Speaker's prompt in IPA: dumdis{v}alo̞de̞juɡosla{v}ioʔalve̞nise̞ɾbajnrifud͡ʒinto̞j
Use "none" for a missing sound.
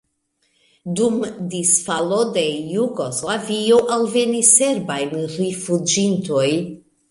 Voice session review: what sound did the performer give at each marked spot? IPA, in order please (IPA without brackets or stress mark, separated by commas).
f, v